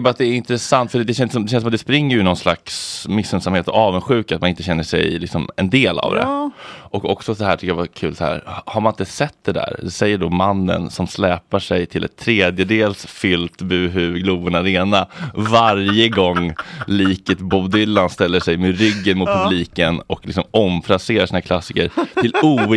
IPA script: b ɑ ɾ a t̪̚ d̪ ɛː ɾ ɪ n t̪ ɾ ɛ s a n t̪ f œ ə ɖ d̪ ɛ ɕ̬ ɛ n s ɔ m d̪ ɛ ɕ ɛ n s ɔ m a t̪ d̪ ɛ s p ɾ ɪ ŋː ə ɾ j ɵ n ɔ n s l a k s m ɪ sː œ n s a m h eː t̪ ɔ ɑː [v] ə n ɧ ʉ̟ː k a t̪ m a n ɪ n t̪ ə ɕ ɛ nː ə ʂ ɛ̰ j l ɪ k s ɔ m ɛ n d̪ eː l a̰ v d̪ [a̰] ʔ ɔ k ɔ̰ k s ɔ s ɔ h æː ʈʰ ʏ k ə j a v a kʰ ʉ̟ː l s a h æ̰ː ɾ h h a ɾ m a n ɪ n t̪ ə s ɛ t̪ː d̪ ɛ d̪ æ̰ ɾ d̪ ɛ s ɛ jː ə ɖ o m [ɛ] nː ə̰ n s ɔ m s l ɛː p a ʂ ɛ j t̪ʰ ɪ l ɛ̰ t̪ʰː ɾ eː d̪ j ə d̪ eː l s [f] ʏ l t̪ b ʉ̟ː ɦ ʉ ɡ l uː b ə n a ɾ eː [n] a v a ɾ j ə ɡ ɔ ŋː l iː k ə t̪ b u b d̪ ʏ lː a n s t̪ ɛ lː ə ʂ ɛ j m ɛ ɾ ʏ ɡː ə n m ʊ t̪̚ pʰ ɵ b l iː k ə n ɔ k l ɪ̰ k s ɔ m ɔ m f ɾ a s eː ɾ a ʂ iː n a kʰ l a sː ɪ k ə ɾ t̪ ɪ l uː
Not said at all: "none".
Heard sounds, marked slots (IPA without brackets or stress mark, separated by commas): v, ɛ̰, a, f, n